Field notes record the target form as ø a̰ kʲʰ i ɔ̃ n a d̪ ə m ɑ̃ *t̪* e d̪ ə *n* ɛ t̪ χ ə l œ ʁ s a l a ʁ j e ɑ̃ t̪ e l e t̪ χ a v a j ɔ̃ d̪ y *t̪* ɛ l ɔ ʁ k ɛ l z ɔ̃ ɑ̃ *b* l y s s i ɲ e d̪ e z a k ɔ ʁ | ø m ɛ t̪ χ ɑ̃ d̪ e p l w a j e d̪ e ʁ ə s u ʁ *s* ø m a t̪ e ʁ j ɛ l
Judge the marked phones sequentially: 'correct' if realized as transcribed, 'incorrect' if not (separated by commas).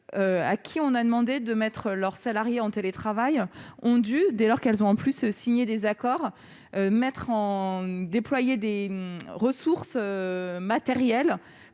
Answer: incorrect, incorrect, incorrect, incorrect, correct